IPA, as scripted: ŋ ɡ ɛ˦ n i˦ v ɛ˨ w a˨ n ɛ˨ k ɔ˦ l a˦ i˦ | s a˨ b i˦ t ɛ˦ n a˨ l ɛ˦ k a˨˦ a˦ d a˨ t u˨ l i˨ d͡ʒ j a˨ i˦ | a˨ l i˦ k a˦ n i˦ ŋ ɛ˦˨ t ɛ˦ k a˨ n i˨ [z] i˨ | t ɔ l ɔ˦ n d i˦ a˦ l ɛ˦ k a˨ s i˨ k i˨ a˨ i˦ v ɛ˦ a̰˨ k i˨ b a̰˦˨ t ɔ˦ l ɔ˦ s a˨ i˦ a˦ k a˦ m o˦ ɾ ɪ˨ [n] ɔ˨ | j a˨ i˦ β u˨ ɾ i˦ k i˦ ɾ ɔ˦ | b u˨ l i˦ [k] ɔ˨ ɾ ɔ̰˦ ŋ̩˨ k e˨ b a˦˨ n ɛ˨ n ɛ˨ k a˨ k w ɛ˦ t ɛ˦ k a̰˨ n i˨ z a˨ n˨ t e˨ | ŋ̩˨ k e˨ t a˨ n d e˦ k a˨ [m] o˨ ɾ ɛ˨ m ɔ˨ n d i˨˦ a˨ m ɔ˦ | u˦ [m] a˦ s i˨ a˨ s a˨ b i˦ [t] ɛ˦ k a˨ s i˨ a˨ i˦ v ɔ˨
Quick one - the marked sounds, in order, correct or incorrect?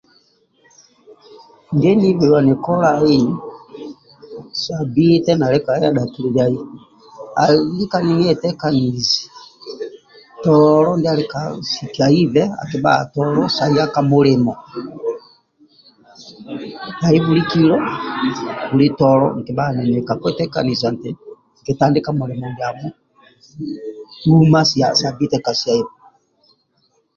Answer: correct, incorrect: m, incorrect: t, correct, correct, correct

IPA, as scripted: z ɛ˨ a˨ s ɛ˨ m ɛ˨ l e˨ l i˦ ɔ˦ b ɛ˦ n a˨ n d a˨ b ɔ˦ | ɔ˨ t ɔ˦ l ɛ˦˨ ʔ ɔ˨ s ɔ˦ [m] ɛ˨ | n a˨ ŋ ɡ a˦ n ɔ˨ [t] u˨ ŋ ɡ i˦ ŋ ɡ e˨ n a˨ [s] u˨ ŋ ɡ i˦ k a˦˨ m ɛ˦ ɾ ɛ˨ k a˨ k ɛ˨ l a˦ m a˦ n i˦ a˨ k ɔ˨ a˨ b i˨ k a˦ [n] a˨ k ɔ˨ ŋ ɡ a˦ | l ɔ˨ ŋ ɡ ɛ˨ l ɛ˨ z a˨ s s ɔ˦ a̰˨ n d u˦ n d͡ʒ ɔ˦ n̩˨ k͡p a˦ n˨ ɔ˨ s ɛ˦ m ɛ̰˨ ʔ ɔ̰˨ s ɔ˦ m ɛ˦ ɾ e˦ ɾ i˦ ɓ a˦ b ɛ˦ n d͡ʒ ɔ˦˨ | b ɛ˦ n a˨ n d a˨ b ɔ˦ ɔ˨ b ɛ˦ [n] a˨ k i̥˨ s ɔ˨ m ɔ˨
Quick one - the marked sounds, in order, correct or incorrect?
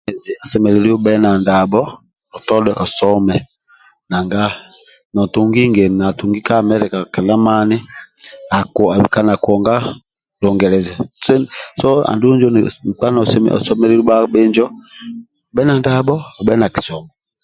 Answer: correct, correct, incorrect: t, correct, correct

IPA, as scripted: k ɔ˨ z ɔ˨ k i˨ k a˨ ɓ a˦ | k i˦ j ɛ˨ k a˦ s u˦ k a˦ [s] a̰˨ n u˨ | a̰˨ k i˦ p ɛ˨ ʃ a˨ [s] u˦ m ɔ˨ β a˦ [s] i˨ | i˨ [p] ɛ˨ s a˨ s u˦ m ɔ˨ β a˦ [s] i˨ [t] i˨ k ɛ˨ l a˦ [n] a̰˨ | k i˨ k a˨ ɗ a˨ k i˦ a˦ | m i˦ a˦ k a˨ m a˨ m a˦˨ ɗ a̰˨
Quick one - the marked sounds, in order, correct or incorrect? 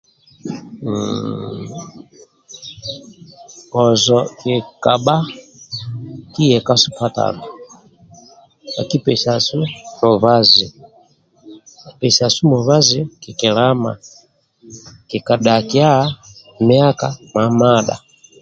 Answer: incorrect: t, correct, incorrect: z, correct, incorrect: z, incorrect: k, incorrect: m

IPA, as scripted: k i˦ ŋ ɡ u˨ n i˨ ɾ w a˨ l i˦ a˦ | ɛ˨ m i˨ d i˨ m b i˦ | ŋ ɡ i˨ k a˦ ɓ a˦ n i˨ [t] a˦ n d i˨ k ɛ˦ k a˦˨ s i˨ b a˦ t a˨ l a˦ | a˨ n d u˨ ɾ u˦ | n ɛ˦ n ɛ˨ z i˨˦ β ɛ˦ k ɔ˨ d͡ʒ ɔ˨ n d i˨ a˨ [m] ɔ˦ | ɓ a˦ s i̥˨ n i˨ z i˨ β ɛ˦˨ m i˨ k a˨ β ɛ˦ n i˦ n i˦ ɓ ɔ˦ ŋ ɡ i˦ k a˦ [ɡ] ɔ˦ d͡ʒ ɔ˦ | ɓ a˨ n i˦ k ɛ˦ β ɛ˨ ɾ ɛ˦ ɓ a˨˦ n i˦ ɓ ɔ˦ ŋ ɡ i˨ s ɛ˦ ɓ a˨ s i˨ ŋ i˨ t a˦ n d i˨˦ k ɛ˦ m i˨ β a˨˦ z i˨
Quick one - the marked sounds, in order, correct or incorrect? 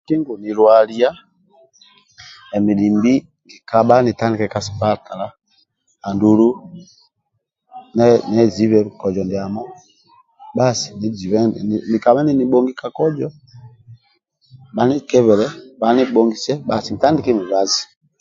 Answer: correct, correct, incorrect: k

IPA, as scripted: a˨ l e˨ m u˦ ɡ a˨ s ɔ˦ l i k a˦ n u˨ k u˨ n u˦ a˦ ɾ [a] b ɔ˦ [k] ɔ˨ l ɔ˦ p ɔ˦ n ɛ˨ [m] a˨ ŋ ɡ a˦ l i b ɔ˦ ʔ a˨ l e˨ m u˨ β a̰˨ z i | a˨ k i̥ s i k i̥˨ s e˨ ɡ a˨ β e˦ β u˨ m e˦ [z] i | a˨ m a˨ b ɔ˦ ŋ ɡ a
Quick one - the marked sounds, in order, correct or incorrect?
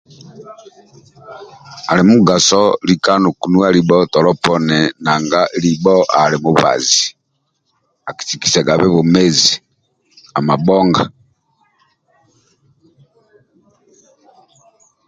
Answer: incorrect: i, incorrect: t, incorrect: n, correct

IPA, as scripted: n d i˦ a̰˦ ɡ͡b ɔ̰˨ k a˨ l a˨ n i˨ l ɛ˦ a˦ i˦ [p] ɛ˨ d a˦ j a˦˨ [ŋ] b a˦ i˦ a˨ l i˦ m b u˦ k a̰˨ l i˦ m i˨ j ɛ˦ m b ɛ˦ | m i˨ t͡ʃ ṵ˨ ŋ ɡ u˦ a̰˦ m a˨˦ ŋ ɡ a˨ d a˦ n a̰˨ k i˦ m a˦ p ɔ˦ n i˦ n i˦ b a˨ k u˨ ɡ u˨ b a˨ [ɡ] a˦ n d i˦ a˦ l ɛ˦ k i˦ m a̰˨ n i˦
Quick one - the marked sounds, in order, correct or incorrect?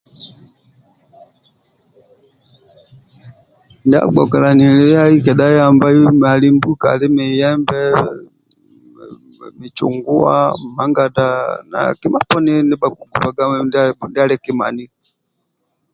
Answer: incorrect: k, incorrect: m, correct

